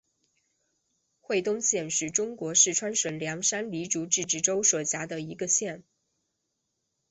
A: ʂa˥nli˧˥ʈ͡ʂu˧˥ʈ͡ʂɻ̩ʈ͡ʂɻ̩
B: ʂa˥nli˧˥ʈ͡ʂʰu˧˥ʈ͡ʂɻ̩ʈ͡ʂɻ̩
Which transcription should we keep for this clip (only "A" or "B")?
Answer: A